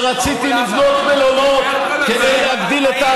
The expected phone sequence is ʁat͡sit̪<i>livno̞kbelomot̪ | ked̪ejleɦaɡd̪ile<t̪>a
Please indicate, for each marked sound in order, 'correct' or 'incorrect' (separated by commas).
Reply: correct, correct